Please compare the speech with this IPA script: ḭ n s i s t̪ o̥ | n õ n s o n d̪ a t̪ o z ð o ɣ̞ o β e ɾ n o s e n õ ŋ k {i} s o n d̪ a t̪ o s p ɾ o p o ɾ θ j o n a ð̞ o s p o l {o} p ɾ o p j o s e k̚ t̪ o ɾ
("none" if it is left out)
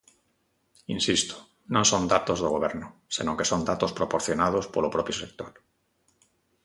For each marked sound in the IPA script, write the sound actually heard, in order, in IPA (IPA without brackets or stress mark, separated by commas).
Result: e, o